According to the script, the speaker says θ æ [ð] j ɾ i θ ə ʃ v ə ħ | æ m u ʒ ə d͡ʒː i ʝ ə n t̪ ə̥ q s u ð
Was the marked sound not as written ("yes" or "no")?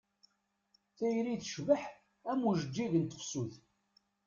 yes